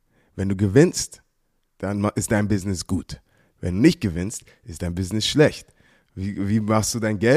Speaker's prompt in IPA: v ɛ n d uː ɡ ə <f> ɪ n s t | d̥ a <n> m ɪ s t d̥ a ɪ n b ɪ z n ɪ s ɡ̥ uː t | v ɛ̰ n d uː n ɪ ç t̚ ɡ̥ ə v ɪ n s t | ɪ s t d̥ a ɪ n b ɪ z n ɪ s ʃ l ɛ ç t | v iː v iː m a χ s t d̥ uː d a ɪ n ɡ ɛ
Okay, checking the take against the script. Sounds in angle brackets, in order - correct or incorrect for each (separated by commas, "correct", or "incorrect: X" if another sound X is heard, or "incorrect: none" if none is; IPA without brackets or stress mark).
incorrect: v, correct